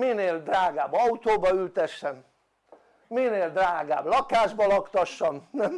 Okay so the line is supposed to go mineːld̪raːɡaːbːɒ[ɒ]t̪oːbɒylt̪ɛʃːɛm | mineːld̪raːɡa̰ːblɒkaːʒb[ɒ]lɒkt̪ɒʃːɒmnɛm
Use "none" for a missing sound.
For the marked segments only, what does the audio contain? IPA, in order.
u, ɒ

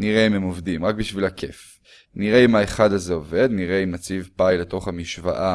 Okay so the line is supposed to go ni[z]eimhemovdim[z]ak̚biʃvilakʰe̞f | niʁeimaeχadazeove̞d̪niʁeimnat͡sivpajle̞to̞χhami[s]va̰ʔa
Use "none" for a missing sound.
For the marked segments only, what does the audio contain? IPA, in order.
ʁ, ʁ, ʃ

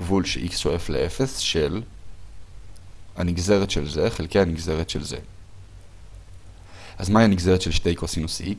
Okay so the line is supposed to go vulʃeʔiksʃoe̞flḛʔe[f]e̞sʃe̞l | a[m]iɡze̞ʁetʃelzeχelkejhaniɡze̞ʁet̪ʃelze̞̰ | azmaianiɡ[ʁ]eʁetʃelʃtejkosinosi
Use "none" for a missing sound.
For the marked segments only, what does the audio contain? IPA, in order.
f, n, z

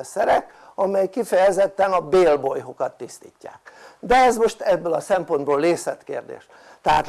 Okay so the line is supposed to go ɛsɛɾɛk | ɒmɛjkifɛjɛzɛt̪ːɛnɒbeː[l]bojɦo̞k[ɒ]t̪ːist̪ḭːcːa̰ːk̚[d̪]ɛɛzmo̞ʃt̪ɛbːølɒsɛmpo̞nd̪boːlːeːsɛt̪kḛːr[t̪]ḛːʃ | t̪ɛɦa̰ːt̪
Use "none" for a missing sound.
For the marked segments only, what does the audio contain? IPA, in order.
l, ɒ, d̪, d̪

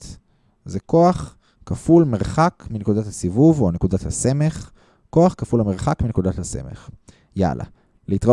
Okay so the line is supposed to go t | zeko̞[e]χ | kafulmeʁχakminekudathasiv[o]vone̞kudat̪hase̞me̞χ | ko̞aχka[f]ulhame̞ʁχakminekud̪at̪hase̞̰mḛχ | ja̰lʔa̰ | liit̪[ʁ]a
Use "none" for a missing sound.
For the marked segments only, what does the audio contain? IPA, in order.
a, u, f, ʁ

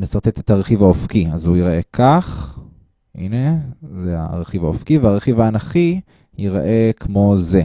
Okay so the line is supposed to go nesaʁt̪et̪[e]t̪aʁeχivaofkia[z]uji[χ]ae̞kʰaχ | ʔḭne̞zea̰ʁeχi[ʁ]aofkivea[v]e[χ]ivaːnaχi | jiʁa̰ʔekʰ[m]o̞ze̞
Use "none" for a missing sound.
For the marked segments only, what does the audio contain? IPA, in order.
e, z, ʁ, v, ʁ, χ, m

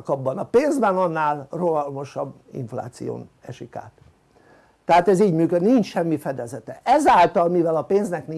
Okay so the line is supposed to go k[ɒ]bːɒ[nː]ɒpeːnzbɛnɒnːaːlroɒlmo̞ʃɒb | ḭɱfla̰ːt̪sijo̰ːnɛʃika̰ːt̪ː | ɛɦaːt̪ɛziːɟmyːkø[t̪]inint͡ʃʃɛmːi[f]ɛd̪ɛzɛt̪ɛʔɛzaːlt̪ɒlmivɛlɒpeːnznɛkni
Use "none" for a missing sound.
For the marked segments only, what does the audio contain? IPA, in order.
ɒ, n, d̪, f

